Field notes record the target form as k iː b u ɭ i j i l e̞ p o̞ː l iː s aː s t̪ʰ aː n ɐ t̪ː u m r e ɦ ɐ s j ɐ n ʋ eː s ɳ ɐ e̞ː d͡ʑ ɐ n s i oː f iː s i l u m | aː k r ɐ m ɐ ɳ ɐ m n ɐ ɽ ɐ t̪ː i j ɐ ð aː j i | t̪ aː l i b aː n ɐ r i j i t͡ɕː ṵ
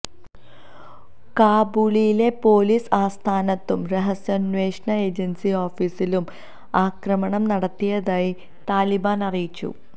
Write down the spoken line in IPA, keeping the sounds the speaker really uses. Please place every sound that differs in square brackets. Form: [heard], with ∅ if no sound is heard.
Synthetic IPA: k [aː] b u ɭ i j i l e̞ p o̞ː l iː s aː s t̪ʰ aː n ɐ t̪ː u m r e ɦ ɐ s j ɐ n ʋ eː [ʂ] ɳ ɐ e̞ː d͡ʑ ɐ n s i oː f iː s i l u m | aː k r ɐ m ɐ ɳ ɐ m n ɐ ɽ ɐ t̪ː i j ɐ ð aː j i | t̪ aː l i b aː n ɐ r i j i t͡ɕː ṵ